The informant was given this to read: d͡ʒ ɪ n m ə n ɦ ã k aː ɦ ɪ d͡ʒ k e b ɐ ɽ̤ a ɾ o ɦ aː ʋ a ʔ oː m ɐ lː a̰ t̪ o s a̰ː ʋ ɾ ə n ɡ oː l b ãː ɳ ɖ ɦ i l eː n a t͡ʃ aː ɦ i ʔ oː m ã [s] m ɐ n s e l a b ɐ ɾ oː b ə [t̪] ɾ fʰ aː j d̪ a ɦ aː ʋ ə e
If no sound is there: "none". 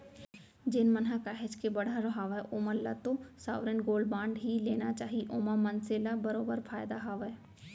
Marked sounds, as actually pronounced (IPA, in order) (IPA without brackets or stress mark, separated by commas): none, none